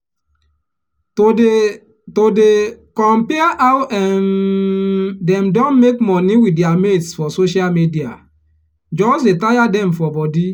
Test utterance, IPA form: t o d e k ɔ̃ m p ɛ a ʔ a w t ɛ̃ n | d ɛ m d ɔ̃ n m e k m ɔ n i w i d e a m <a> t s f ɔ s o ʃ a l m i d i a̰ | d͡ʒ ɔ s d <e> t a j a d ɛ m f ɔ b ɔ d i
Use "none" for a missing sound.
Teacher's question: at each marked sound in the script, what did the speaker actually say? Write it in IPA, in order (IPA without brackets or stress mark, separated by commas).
e, e